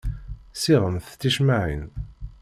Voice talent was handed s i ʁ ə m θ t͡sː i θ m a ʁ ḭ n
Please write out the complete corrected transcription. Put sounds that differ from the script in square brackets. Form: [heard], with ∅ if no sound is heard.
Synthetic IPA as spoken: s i ʁ ə m θ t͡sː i [ʃ] m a [ʕ] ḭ n